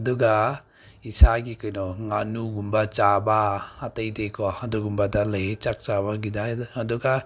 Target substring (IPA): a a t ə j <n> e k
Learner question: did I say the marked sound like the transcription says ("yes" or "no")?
no